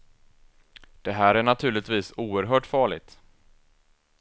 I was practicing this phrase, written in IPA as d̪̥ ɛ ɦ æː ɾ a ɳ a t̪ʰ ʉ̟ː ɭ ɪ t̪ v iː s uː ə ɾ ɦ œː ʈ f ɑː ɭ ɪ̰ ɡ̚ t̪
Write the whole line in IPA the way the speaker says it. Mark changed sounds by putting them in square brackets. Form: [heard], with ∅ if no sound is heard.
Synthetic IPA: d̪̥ ɛ ɦ æː ɾ [æ] ɳ a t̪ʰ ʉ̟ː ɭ ɪ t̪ v iː s uː ə ɾ ɦ œː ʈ f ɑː ɭ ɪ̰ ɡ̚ t̪